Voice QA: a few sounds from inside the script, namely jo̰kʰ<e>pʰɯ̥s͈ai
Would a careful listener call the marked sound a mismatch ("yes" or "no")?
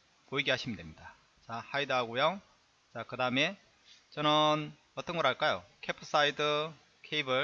no